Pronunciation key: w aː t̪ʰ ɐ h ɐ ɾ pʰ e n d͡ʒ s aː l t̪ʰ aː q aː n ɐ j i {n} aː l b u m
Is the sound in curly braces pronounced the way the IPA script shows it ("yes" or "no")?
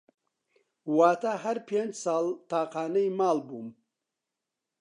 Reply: no